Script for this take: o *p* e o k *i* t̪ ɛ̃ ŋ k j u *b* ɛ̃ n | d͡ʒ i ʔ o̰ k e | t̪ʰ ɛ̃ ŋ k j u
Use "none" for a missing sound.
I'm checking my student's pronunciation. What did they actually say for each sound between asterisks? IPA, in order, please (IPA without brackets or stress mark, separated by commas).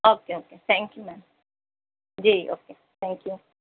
k, e, m